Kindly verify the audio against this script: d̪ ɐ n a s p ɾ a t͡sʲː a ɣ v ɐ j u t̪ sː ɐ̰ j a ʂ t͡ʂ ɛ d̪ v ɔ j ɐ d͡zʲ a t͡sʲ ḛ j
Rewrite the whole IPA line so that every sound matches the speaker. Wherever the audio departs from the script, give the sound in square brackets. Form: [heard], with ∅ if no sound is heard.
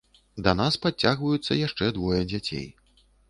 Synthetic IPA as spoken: d̪ ɐ n a s p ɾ a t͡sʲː a ɣ v ɐ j u t̪ sː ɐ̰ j a ʂ t͡ʂ ɛ d̪ v ɔ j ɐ d͡zʲ a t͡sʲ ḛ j